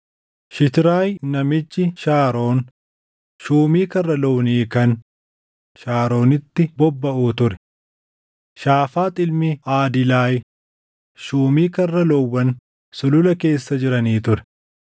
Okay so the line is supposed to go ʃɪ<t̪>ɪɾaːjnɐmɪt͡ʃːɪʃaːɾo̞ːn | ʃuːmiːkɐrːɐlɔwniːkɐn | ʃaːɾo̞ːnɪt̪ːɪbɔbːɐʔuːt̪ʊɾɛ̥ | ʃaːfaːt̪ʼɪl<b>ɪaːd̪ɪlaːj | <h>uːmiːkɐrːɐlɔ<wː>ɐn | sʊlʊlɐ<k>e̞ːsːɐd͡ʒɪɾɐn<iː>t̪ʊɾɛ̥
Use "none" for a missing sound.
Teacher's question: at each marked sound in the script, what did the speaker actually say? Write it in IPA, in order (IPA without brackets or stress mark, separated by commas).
t̪, m, ʃ, wː, k, iː